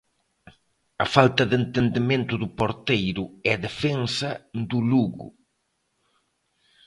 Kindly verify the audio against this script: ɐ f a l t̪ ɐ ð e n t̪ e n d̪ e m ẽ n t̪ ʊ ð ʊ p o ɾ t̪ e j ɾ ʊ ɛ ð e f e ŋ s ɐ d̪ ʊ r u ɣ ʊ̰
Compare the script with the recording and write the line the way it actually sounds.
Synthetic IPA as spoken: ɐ f a l t̪ ɐ ð e n t̪ e n d̪ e m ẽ n t̪ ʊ ð ʊ p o ɾ t̪ e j ɾ ʊ ɛ ð e f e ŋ s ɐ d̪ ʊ l u ɣ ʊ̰